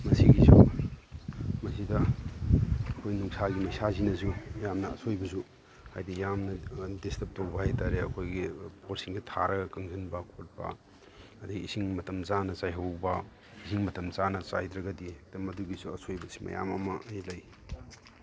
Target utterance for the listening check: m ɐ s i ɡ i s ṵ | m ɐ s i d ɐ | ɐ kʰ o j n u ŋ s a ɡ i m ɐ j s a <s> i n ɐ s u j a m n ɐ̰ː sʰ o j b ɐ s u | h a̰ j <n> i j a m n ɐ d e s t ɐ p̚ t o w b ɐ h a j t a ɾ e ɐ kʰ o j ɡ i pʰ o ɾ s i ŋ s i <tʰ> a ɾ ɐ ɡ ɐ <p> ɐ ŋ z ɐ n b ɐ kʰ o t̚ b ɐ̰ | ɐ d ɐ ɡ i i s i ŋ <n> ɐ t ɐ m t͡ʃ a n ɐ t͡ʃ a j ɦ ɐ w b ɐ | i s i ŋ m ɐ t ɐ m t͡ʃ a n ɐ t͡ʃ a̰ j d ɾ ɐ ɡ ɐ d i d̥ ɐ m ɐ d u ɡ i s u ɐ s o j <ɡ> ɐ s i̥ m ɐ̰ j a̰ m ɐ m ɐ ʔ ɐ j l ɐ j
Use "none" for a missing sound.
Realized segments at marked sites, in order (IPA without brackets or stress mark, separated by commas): z, d, tʰ, k, m, b